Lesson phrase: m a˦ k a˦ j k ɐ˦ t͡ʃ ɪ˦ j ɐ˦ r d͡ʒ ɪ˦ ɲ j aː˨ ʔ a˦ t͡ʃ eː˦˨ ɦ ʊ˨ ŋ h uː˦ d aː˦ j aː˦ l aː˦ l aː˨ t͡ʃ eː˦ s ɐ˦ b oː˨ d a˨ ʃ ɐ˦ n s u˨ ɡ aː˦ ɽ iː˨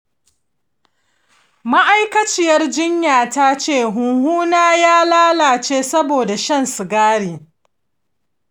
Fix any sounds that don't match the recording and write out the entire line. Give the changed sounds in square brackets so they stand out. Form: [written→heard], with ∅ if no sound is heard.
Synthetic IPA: m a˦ [k→ʔ] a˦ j k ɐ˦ t͡ʃ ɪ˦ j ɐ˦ r d͡ʒ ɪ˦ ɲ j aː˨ [ʔ→t] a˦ t͡ʃ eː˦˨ ɦ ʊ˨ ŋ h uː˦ [d→n] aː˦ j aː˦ l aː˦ l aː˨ t͡ʃ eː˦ s ɐ˦ b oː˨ d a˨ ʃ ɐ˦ n s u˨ ɡ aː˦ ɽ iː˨